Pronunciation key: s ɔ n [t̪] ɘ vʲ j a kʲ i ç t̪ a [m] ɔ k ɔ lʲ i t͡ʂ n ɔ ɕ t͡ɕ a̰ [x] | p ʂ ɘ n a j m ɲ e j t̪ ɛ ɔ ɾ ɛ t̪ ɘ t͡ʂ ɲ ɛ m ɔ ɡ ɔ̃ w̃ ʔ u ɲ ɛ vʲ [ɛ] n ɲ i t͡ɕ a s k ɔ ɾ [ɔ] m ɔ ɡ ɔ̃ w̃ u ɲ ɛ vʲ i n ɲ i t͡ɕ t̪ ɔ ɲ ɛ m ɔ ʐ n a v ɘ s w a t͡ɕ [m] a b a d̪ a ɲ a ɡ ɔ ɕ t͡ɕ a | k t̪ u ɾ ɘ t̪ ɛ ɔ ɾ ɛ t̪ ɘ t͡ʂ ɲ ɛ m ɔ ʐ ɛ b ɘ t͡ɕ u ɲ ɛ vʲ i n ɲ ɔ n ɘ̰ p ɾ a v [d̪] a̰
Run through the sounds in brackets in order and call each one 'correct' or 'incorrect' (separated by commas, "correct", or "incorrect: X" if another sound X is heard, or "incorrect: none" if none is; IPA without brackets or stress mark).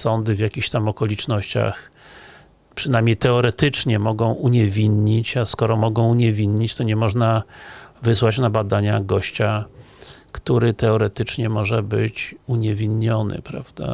incorrect: d̪, correct, correct, incorrect: i, correct, incorrect: n, correct